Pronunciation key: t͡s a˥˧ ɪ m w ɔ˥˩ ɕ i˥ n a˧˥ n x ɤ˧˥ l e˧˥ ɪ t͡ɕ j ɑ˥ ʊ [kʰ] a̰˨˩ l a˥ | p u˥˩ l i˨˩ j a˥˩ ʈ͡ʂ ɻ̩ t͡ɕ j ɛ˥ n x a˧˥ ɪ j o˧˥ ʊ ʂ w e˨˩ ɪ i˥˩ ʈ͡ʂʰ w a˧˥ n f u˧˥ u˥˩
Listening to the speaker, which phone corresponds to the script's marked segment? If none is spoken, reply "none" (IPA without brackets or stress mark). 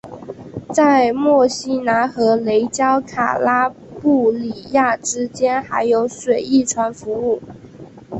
kʰ